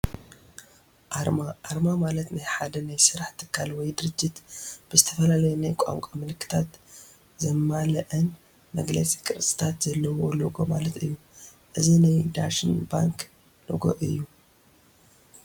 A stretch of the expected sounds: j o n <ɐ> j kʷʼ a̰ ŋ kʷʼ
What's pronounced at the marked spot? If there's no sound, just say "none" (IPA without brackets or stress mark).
a